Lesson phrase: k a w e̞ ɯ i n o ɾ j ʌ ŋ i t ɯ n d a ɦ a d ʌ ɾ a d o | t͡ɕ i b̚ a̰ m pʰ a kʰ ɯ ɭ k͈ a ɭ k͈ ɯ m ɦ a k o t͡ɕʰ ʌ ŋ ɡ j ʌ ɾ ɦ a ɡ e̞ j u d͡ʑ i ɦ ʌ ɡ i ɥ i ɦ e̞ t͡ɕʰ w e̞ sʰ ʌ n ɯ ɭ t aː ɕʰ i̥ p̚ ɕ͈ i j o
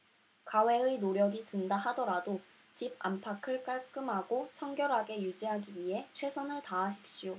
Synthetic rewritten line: k a w e̞ ɯ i n o ɾ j ʌ ɡ i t ɯ n d a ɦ a d ʌ ɾ a d o | t͡ɕ i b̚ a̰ m pʰ a kʰ ɯ ɭ k͈ a ɭ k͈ ɯ m ɦ a ɡ o t͡ɕʰ ʌ ŋ ɡ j ʌ ɾ ɦ a ɡ e̞ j u d͡ʑ i ɦ a ɡ i ɥ i ɦ e̞ t͡ɕʰ w e̞ sʰ ʌ n ɯ ɭ t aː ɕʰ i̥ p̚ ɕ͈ i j o